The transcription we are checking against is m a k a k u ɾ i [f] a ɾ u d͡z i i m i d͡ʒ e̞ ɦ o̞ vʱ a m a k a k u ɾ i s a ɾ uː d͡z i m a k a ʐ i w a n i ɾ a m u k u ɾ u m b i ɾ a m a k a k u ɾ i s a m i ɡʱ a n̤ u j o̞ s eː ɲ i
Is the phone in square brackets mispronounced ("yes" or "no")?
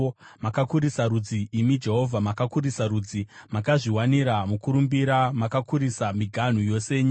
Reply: yes